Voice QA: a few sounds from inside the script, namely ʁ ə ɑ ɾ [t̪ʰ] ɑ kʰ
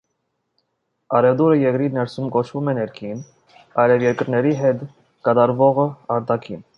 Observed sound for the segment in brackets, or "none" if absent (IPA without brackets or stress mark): t̪